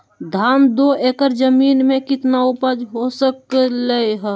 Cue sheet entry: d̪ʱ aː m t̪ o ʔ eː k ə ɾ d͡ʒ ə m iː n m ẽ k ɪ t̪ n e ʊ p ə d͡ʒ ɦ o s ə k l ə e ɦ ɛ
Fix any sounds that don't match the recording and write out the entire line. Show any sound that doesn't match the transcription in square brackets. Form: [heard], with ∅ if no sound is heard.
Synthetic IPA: d̪ʱ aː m [d̪] o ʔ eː k ə ɾ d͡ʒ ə m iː n m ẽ k ɪ t̪ n [a] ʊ p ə d͡ʒ ɦ o s ə k l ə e ɦ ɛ